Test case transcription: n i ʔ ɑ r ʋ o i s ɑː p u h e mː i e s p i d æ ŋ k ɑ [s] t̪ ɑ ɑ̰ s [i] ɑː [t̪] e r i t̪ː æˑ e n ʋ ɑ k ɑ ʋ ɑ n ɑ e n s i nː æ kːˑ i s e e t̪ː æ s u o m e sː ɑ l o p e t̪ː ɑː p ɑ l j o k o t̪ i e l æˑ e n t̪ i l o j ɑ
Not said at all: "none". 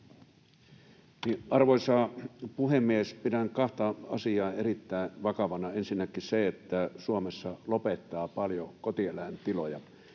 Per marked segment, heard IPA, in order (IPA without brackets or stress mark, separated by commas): h, i, none